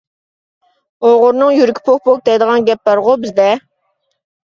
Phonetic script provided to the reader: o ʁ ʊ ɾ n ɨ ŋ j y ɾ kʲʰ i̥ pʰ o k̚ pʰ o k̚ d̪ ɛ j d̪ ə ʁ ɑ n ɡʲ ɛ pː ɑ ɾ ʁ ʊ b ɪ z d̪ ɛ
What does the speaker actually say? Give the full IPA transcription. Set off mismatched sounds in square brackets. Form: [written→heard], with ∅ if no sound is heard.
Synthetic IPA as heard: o ʁ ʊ ɾ n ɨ ŋ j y ɾ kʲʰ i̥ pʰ o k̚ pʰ o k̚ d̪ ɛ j d̪ ə ʁ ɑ n ɡʲ ɛ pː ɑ ɾ ʁ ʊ b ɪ z d̪ ɛ